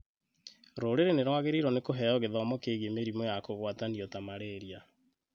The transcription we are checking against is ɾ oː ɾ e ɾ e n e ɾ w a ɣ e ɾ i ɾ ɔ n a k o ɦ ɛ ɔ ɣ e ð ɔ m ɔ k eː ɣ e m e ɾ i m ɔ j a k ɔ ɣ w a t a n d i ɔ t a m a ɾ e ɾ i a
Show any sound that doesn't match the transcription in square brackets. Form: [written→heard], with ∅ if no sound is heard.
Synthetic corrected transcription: ɾ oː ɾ e ɾ e n e ɾ w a ɣ e ɾ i ɾ ɔ n [a→e] k o ɦ ɛ ɔ ɣ e ð ɔ m ɔ k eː ɣ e m e ɾ i m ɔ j a k [ɔ→o] ɣ w a t a n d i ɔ t a m a ɾ e ɾ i a